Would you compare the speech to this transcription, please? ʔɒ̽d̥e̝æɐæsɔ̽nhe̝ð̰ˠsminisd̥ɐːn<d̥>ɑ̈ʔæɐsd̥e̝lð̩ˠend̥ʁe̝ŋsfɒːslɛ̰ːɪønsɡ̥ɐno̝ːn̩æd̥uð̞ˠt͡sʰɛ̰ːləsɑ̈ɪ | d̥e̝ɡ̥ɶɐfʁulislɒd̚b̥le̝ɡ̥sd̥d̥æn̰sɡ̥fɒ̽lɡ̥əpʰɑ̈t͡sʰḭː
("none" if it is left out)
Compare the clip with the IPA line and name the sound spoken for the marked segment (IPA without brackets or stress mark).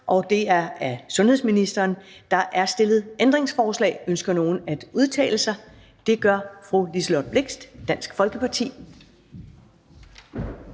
d̥